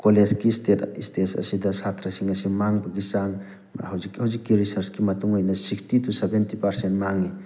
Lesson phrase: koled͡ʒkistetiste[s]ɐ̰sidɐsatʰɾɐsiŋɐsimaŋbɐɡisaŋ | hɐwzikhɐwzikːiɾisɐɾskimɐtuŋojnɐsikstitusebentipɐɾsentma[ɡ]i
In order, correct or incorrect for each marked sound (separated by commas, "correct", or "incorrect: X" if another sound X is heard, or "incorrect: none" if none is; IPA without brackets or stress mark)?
correct, incorrect: ŋ